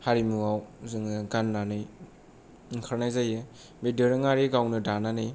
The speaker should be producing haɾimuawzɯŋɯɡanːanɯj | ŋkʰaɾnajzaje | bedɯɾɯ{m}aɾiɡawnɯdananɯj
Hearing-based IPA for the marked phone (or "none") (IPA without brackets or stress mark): ŋ